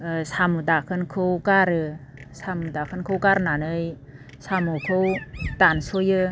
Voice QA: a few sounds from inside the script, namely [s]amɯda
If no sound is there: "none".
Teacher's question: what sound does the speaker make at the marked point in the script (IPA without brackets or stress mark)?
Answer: s